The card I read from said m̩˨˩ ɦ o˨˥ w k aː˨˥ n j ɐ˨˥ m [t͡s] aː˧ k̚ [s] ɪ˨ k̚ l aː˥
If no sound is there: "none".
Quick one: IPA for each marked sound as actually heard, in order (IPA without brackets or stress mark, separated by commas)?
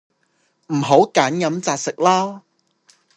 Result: t͡s, s